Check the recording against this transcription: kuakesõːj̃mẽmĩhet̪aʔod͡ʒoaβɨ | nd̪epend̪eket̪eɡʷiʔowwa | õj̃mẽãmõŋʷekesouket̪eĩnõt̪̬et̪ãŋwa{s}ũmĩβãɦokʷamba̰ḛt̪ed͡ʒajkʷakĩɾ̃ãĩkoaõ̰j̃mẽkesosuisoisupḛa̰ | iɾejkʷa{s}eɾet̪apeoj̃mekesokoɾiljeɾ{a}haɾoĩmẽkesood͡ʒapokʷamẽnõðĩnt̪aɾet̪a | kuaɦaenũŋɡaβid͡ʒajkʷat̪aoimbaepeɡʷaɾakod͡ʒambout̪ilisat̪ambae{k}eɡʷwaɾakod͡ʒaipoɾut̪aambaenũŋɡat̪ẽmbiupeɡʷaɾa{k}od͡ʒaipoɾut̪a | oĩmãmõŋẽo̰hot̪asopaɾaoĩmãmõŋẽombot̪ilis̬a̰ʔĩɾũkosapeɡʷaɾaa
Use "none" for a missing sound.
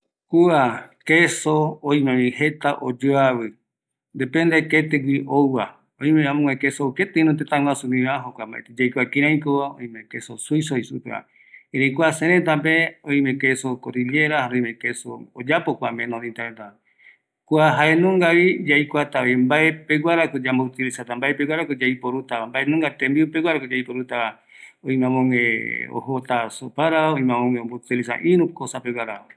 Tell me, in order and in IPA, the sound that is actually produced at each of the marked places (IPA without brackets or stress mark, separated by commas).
s, s, a, p, k